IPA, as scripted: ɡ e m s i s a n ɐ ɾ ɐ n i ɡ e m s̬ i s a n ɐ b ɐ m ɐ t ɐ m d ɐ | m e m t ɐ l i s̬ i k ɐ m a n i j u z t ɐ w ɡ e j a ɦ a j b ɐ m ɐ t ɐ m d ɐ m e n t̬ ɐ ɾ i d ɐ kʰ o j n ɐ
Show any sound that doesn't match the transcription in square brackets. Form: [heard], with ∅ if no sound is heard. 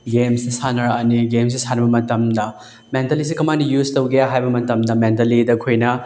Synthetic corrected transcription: ɡ e m s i s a n ɐ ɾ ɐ n i ɡ e m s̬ i s a n ɐ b ɐ m ɐ t ɐ m d ɐ | m e [n] t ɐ l i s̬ i k ɐ m a n i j u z t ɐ w ɡ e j a ɦ a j b ɐ m ɐ t ɐ m d ɐ m e n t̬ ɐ [l] i d ɐ kʰ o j n ɐ